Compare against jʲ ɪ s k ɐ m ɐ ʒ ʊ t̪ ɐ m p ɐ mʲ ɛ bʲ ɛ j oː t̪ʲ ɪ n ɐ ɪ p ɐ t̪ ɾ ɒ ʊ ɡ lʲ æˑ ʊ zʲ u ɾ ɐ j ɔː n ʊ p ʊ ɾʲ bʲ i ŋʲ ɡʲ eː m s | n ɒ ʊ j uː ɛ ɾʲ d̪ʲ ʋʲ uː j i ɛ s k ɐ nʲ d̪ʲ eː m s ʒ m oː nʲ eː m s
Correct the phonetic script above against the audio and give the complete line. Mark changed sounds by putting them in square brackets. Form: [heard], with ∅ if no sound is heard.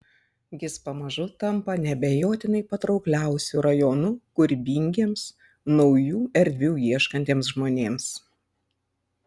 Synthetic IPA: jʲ ɪ s [p] ɐ m ɐ ʒ ʊ t̪ ɐ m p ɐ [nʲ] ɛ bʲ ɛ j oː t̪ʲ ɪ n ɐ ɪ p ɐ t̪ ɾ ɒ ʊ [k] lʲ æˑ ʊ [sʲ] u ɾ ɐ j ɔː n ʊ [k] ʊ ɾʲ bʲ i ŋʲ ɡʲ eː m s | n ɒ ʊ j uː ɛ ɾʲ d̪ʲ ʋʲ uː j i ɛ [ʃ] k ɐ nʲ [t̪ʲ] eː m s ʒ m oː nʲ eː m s